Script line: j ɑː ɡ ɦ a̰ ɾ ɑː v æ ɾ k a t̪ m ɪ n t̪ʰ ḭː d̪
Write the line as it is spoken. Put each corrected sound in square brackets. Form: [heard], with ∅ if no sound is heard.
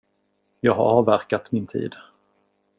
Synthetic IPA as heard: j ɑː ɡ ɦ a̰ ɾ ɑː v æ ɾ k a t̪ m ɪ n t̪ʰ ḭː d̪